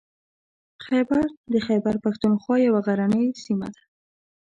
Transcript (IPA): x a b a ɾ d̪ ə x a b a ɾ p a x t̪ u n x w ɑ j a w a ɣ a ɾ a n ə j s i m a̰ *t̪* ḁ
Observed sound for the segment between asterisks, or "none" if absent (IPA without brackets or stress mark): d̪